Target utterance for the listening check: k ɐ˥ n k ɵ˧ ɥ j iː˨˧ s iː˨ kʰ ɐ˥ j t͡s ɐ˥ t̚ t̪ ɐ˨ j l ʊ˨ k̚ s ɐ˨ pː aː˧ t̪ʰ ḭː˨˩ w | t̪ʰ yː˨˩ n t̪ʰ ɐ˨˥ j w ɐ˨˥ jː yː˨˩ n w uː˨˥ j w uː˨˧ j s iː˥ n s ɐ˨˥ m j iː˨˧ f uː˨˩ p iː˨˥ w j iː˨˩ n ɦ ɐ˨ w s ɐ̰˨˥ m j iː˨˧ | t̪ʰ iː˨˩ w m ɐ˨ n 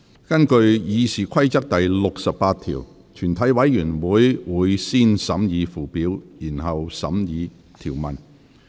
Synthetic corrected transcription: k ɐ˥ n k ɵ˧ ɥ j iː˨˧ s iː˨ kʰ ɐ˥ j t͡s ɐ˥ k̚ t̪ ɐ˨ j l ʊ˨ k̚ s ɐ˨ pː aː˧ t̪ʰ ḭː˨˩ w | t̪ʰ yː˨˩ n t̪ʰ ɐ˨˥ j w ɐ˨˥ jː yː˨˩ n w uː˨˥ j w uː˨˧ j s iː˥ n s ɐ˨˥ m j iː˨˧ f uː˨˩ p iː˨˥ w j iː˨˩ n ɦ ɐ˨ w s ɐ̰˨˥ m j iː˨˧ | t̪ʰ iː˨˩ w m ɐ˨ n